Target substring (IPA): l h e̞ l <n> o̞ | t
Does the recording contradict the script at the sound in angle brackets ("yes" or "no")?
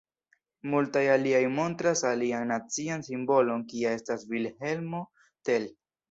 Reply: yes